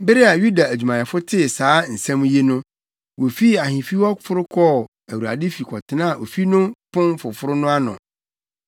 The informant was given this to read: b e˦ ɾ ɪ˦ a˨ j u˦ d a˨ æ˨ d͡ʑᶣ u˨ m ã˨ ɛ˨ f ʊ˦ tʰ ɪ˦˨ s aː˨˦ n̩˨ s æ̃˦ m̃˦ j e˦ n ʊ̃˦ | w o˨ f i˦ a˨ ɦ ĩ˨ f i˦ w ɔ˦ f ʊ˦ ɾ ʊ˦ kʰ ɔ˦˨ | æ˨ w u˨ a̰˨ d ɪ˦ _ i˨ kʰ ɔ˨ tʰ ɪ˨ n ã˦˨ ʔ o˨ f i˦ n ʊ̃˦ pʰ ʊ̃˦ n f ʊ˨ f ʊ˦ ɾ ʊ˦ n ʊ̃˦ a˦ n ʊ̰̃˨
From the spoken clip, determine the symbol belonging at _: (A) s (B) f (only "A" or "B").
B